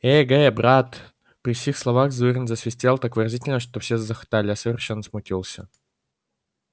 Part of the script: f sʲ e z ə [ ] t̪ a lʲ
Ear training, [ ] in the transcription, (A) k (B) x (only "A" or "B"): B